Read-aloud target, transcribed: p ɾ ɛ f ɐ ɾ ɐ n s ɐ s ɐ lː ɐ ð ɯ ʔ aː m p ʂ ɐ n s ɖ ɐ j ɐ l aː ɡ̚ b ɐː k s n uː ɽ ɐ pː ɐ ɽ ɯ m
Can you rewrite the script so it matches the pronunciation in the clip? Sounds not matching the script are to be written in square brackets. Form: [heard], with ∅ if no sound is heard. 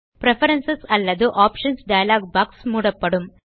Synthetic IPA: p ɾ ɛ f ɐ ɾ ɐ n s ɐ s ɐ lː ɐ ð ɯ ʔ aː [∅] p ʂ ɐ n s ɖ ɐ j ɐ l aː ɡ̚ b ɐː k s [m] uː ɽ ɐ pː ɐ ɽ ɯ m